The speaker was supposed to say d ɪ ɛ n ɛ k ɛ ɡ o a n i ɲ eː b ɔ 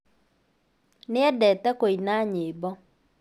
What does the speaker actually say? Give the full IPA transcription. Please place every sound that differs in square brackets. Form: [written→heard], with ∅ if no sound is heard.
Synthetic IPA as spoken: [d→n] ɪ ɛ [n→d] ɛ [k→t] ɛ [ɡ→k] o [a→i] n [i→a] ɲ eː b ɔ